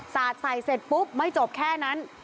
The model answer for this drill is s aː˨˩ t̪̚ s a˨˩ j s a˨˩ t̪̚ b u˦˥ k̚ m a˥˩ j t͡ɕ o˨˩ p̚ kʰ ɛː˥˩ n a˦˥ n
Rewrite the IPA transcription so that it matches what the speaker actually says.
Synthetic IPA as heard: s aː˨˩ t̪̚ s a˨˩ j s e˨˩ t̪̚ p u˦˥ p̚ m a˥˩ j t͡ɕ o˨˩ p̚ kʰ ɛː˥˩ n a˦˥ n